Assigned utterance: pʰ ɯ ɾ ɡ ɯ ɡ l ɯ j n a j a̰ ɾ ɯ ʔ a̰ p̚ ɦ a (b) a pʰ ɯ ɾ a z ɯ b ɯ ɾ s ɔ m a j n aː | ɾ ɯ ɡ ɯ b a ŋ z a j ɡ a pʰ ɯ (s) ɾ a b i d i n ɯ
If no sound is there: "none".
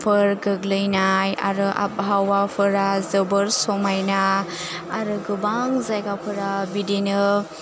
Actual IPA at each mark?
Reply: w, none

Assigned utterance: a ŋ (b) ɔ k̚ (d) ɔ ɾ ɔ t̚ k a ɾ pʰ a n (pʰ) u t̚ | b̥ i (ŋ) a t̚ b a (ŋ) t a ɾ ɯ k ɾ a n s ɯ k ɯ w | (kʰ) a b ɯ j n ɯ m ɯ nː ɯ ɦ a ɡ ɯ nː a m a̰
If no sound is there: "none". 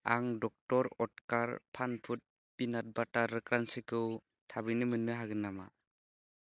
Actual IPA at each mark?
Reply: d, t, pʰ, n, none, tʰ

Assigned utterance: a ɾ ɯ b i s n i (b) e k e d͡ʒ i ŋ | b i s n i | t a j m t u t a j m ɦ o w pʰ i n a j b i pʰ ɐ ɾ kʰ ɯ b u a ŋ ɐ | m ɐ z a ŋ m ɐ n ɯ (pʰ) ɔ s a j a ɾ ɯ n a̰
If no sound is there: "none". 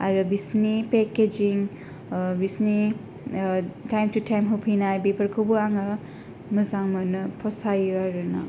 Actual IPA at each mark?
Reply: p, pʰ

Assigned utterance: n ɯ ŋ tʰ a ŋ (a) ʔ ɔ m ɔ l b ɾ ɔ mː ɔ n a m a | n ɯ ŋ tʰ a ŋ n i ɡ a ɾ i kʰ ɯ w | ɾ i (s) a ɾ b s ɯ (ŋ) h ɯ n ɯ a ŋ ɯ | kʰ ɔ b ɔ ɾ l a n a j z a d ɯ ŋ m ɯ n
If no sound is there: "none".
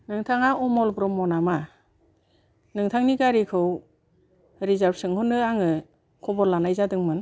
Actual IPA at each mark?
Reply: a, z, ŋ

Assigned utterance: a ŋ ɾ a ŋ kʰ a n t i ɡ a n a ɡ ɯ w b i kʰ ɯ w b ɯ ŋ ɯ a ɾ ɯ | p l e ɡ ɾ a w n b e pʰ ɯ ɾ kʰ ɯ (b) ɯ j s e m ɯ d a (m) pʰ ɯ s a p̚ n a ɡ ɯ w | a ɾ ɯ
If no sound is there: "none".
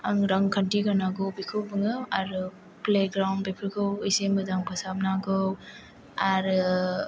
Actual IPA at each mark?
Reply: w, ŋ

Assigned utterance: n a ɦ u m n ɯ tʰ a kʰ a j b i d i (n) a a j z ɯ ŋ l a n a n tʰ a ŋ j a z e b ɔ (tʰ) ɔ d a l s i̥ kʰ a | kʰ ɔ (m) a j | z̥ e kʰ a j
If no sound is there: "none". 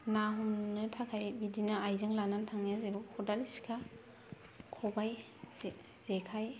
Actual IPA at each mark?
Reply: n, kʰ, b

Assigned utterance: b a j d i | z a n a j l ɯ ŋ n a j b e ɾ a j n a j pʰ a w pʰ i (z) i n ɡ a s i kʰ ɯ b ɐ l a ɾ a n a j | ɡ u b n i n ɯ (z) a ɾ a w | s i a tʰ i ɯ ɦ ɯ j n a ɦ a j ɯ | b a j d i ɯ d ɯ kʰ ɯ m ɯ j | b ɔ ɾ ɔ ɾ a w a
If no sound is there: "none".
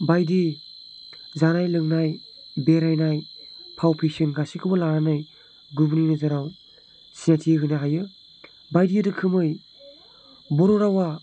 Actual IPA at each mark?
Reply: s, z

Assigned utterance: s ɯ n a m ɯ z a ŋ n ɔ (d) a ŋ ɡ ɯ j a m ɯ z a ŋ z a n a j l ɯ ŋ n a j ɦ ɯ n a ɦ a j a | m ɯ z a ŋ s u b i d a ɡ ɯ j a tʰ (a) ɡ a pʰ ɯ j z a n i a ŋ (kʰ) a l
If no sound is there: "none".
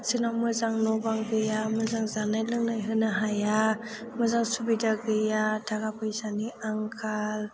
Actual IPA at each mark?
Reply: b, a, kʰ

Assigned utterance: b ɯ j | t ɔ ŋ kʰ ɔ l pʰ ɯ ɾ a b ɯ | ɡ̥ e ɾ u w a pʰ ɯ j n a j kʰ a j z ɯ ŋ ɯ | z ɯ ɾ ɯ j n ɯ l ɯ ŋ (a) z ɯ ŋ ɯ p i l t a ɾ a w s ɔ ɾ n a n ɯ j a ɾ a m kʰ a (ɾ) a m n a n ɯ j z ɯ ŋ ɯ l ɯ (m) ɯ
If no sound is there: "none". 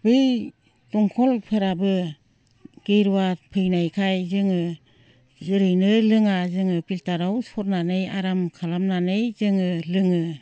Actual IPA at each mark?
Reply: a, l, ŋ

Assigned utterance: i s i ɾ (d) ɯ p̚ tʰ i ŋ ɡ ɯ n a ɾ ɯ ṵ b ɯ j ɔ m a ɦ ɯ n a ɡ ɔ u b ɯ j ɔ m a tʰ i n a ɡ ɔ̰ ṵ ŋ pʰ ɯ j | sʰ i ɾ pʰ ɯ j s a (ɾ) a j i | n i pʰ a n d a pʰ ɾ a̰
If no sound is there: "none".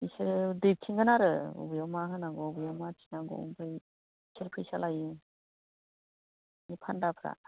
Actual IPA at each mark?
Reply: d, l

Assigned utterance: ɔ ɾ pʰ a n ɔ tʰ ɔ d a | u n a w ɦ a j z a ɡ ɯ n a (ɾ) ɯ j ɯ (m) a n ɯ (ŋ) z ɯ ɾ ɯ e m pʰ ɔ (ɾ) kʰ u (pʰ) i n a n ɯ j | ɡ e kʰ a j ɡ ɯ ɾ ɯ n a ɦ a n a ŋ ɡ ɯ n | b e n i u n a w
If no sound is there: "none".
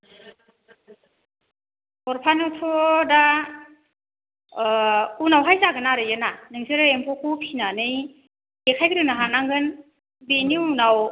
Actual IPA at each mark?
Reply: ɾ, n, ŋ, none, pʰ

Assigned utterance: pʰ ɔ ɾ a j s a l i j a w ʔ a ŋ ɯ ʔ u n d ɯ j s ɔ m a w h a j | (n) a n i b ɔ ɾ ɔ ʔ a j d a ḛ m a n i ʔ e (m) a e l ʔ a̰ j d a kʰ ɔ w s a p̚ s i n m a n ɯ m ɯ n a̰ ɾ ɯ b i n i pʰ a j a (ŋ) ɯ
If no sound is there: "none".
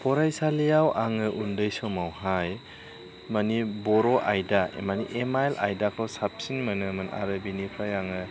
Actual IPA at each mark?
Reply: m, m, ŋ

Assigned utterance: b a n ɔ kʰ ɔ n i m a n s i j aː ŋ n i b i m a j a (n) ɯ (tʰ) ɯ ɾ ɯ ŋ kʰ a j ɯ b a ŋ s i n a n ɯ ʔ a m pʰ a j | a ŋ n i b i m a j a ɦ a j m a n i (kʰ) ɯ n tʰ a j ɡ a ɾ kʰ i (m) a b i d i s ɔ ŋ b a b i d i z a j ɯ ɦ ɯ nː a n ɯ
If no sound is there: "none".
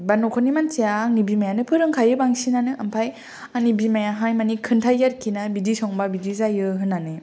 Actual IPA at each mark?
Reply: n, pʰ, kʰ, n

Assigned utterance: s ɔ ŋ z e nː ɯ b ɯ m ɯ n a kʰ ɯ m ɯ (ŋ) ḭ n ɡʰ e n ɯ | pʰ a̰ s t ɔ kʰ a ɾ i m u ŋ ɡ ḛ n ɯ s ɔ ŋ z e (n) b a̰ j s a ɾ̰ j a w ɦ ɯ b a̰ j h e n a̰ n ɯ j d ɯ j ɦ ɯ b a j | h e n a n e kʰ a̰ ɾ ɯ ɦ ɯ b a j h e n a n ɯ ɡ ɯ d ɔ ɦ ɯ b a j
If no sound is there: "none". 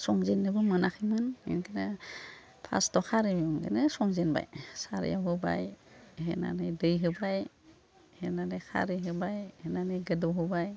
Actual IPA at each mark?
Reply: n, n

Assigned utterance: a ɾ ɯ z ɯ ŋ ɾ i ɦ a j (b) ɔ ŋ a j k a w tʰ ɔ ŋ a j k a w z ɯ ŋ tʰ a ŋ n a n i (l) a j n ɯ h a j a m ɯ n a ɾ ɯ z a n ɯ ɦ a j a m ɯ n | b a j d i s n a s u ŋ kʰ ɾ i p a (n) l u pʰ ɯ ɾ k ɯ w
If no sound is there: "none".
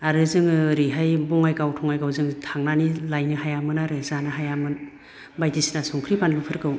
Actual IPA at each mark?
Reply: b, l, n

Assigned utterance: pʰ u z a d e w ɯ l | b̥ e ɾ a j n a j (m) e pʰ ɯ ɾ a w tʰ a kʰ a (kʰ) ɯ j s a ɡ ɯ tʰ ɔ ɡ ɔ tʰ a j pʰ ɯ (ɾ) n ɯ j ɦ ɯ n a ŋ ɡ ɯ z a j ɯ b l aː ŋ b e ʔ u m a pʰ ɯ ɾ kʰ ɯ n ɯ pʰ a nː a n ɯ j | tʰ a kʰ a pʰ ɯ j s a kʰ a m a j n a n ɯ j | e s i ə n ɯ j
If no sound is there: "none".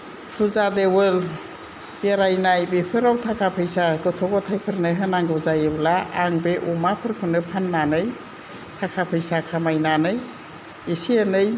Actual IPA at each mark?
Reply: b, pʰ, ɾ

